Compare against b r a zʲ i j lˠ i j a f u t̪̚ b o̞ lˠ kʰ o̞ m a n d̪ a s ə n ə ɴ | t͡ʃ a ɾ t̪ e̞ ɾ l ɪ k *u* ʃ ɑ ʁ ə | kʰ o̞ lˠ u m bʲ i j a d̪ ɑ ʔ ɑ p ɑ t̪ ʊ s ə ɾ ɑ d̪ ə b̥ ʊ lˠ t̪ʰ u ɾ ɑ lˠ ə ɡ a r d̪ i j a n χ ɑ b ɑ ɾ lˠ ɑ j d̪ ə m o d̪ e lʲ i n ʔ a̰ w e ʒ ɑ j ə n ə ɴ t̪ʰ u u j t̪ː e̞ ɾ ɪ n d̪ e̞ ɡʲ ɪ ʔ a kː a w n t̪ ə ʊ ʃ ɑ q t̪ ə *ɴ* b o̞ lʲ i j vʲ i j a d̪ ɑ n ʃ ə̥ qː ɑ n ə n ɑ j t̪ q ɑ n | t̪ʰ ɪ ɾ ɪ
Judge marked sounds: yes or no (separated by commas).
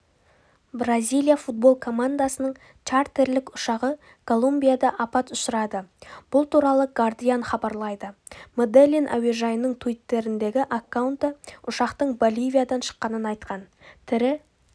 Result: no, yes